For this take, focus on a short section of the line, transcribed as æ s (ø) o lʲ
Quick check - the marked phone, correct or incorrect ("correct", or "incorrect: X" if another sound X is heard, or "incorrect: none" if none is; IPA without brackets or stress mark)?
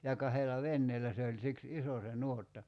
incorrect: e